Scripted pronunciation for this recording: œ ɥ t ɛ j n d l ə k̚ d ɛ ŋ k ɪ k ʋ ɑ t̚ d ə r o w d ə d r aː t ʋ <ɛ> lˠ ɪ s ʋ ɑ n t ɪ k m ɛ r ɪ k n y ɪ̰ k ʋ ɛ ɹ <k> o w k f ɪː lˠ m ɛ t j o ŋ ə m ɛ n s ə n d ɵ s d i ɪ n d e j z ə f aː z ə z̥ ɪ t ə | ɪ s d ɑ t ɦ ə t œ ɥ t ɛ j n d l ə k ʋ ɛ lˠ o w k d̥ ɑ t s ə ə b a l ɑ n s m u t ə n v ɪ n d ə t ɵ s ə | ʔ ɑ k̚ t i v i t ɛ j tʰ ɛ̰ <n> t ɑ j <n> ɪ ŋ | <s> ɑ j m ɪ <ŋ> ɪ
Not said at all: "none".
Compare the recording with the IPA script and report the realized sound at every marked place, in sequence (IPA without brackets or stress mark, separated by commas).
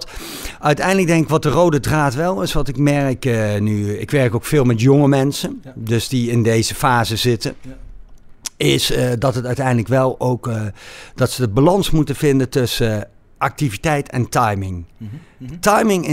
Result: ɛ, k, n, m, t, ŋ